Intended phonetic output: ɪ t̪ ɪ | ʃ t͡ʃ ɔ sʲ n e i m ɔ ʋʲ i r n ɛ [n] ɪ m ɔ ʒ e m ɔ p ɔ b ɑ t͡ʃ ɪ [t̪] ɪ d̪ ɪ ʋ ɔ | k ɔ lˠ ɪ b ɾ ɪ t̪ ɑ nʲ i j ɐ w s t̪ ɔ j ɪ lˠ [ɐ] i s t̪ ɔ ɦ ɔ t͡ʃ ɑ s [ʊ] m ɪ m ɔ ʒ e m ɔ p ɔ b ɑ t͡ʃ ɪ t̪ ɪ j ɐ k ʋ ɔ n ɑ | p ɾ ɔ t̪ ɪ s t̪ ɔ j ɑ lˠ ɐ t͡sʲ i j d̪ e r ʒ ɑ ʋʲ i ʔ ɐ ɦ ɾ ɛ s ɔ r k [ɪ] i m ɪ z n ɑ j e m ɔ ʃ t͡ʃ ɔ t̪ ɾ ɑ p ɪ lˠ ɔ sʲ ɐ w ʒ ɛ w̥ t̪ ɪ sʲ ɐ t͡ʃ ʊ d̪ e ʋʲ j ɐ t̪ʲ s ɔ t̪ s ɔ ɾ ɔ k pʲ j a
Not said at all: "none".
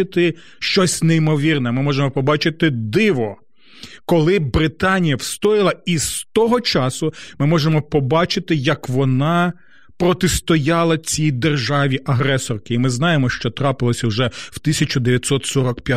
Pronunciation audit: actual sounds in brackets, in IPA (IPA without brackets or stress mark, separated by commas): m, t̪, ɐ, ʊ, ɪ